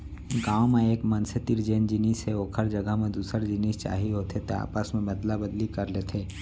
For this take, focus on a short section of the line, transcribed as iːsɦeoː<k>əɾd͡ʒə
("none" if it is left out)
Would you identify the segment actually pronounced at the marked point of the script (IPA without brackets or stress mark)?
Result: kʰ